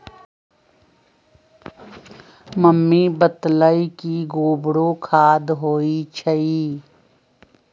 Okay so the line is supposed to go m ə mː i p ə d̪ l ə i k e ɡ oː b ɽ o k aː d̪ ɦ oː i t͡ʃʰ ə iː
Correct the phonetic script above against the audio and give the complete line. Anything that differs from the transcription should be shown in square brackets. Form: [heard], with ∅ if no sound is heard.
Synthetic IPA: m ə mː i [b] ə [t̪] l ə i k [i] ɡ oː b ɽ o [kʰ] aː d̪ ɦ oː i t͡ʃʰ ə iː